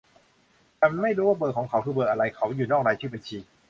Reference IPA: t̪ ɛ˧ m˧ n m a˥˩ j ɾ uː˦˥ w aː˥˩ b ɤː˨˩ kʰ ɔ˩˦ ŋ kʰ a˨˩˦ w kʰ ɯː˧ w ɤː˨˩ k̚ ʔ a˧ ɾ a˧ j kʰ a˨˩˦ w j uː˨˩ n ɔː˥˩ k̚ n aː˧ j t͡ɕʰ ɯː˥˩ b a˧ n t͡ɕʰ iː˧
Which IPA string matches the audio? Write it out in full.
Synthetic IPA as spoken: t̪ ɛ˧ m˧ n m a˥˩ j ɾ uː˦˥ w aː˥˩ b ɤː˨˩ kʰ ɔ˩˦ ŋ kʰ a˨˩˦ w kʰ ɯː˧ b ɤː˨˩ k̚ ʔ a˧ ɾ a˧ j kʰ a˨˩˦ w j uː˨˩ n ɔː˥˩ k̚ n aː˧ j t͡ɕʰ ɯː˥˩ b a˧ n t͡ɕʰ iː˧